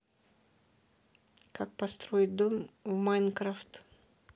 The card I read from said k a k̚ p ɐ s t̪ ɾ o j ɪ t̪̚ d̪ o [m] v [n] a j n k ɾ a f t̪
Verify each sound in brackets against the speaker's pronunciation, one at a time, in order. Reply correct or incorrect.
correct, incorrect

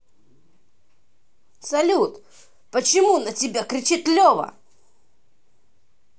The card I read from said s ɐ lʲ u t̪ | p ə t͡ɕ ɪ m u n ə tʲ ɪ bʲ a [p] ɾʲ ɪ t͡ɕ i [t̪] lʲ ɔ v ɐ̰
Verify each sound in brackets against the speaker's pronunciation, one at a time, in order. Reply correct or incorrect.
incorrect, correct

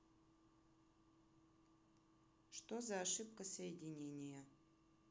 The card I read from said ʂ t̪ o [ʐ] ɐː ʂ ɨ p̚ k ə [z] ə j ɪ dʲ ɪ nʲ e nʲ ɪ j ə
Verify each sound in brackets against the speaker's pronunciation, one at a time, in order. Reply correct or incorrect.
incorrect, incorrect

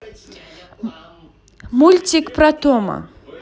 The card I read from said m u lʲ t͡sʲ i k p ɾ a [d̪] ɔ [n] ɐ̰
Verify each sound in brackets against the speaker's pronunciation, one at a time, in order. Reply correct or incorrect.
incorrect, incorrect

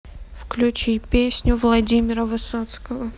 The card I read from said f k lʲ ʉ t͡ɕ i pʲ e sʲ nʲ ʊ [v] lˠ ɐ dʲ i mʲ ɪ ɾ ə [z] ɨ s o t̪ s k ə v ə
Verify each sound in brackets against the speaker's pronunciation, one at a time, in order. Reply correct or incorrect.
correct, incorrect

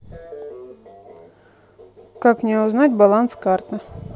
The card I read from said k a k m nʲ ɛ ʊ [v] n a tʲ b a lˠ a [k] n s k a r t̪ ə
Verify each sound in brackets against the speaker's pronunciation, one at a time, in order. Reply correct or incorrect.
incorrect, incorrect

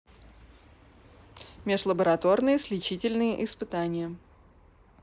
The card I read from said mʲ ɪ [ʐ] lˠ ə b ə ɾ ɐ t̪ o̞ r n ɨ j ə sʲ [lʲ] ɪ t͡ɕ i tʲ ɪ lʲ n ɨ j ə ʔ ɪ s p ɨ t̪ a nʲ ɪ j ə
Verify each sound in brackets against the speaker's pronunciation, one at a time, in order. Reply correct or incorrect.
correct, correct

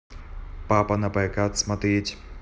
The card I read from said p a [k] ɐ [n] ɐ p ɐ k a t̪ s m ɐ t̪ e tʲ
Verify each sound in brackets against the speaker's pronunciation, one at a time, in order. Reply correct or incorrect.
incorrect, correct

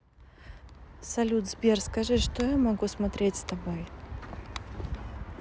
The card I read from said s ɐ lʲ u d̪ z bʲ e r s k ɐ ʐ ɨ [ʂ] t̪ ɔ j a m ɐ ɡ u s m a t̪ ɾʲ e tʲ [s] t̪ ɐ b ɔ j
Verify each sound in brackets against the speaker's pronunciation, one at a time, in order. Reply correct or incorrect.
correct, correct

